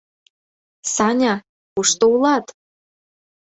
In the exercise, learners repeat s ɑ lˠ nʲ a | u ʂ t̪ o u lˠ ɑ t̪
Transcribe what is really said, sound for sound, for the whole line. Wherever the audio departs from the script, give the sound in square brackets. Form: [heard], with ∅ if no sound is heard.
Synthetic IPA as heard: s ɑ [∅] nʲ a | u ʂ t̪ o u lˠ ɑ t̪